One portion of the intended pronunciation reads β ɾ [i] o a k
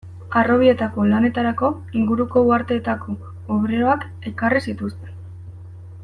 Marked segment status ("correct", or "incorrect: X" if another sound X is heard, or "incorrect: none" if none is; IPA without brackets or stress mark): incorrect: e